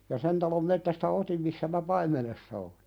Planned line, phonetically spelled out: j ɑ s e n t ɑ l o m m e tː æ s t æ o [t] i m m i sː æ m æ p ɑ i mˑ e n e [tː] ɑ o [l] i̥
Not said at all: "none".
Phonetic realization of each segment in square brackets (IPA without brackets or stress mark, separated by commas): t, sː, l